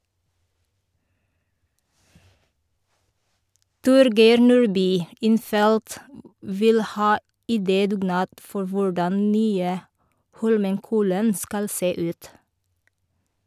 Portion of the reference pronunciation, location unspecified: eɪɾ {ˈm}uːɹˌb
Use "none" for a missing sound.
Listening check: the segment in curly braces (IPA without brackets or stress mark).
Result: n